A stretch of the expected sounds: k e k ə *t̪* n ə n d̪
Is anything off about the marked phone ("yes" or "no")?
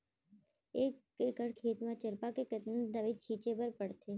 no